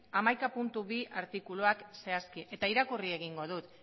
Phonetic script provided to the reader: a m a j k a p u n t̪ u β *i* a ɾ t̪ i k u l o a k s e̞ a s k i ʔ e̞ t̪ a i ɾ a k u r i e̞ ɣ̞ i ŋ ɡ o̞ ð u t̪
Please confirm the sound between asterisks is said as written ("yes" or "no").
yes